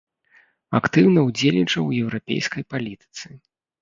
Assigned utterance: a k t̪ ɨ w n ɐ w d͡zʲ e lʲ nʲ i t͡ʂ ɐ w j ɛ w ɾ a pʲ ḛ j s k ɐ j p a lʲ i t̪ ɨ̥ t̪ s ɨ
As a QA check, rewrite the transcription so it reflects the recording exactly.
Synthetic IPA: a k t̪ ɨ w n ɐ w d͡zʲ e lʲ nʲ i t͡ʂ ɐ w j ɛ w ɾ a pʲ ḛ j s k ɐ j p a lʲ i t̪ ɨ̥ t̪ s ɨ